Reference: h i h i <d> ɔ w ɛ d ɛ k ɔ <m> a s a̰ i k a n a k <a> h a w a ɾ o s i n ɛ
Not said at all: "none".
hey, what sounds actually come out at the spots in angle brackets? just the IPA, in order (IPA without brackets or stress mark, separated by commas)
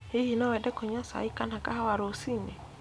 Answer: n, ɲ, a